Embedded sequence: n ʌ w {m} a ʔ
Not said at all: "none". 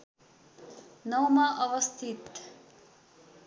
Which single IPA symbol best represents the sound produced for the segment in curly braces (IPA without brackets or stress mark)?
m